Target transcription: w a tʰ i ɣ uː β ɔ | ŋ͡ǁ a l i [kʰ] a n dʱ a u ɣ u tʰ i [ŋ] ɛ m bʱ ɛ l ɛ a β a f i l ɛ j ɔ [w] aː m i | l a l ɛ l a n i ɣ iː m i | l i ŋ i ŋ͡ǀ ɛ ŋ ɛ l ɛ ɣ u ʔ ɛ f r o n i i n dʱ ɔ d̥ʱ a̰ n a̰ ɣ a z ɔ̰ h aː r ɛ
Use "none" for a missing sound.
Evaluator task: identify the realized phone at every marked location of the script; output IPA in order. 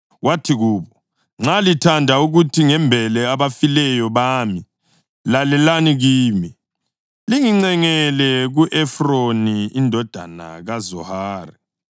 tʰ, ŋ, β

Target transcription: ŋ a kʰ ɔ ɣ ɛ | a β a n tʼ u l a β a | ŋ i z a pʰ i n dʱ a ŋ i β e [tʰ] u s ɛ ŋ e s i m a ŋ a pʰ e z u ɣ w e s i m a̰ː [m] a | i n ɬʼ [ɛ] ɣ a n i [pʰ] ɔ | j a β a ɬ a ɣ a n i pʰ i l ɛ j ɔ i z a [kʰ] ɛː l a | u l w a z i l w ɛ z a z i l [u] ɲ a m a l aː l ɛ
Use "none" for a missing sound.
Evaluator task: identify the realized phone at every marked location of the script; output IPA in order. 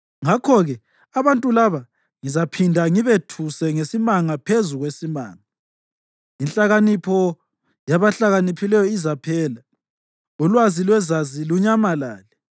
tʰ, ŋ, a, pʰ, pʰ, u

